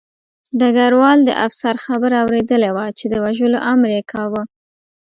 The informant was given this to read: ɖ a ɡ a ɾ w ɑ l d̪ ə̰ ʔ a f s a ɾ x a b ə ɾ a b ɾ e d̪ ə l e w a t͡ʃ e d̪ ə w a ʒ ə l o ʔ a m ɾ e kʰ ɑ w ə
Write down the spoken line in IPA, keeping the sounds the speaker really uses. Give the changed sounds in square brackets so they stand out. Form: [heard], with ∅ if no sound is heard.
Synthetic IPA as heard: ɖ a ɡ a ɾ w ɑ l d̪ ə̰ ʔ a f s a ɾ x a b ə ɾ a [w] ɾ e d̪ ə l e w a t͡ʃ e d̪ ə w a ʒ ə l o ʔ a m ɾ e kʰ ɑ w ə